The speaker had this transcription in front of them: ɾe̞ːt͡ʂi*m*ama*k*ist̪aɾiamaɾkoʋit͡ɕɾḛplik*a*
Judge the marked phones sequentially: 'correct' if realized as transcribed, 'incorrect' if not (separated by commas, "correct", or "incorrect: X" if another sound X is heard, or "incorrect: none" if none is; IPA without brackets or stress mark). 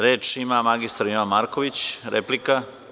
correct, incorrect: ɡ, correct